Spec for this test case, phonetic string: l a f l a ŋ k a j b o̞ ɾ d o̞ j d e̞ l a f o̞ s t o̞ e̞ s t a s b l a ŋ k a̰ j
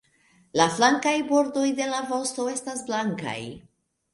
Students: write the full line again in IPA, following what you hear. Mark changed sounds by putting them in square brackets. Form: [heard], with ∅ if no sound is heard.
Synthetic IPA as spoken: l a f l a ŋ k a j b o̞ ɾ d o̞ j d e̞ l a [v] o̞ s t o̞ e̞ s t a s b l a ŋ k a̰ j